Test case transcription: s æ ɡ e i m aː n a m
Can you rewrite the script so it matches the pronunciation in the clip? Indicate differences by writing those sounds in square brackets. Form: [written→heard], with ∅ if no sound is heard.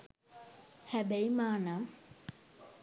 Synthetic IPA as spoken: [s→h] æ [ɡ→b] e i m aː n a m